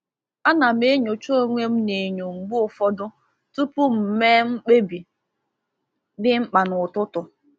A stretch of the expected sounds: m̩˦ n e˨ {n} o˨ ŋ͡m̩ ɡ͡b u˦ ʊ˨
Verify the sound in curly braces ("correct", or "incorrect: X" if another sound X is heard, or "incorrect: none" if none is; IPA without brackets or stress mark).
incorrect: ɲ